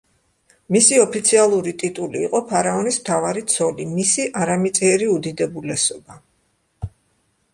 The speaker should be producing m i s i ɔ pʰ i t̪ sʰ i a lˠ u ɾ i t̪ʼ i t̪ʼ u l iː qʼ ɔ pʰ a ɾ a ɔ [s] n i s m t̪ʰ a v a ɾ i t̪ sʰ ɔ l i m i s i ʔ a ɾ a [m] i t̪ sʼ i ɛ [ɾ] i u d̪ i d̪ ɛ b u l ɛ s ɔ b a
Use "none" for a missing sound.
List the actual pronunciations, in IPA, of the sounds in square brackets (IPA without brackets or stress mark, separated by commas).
none, m, ɾ